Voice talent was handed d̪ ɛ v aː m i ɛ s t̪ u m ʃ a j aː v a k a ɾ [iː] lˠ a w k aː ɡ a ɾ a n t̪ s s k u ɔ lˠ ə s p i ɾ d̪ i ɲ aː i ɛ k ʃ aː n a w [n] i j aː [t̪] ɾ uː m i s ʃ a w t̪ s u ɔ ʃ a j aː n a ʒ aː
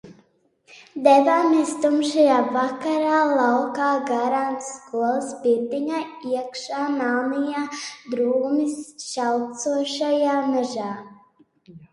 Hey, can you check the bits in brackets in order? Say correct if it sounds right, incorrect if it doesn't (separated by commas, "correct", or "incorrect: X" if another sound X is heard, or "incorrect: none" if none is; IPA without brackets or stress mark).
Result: incorrect: aː, correct, incorrect: d̪